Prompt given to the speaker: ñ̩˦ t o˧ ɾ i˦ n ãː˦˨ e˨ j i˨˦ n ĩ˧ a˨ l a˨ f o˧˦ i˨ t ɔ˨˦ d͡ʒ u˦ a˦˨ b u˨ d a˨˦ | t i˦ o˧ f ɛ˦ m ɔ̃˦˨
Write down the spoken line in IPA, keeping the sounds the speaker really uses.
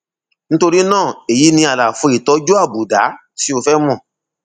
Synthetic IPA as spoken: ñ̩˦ t o˧ ɾ i˦ n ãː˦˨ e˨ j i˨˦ n ĩ˧ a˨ l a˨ f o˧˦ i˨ t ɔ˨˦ d͡ʒ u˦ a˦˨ b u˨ d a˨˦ | t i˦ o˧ f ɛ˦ m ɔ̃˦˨